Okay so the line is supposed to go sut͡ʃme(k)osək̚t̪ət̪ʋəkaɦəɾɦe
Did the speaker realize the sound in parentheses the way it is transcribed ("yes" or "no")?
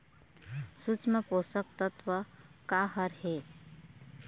no